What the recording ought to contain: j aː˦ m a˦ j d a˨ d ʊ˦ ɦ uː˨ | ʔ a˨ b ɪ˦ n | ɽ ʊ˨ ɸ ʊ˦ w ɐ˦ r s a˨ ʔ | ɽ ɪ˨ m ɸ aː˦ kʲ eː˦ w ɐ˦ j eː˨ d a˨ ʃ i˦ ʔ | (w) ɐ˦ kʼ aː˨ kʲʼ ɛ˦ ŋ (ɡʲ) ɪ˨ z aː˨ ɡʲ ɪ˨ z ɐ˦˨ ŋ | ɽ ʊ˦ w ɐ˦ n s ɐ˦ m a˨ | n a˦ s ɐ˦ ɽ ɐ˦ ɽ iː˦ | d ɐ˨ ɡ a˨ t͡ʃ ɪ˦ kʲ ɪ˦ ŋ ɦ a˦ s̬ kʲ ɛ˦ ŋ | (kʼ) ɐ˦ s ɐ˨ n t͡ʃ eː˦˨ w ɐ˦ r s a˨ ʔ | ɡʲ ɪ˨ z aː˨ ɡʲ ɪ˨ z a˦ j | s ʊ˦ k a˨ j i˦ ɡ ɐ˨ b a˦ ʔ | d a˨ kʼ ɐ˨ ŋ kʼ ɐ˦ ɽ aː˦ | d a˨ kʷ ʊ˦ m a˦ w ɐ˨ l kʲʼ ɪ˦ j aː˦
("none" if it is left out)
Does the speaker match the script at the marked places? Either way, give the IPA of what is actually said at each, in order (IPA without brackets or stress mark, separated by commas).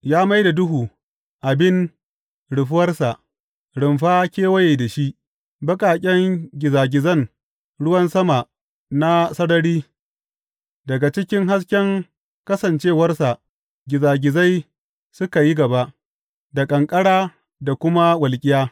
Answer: b, ɡʲ, k